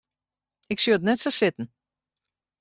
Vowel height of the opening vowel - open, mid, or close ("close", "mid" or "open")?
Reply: close